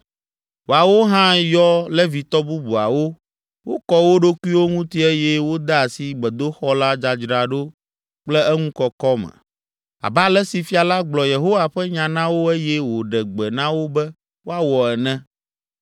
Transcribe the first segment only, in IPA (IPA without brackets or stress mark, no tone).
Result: w